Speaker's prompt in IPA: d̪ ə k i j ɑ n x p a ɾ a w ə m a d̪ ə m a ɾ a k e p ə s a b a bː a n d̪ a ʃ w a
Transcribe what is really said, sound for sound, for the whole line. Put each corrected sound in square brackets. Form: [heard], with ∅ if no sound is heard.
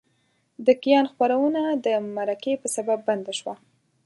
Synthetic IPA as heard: d̪ ə k i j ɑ n x p a ɾ a w ə [n] a d̪ ə m a ɾ a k e p ə s a b a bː a n d̪ a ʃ w a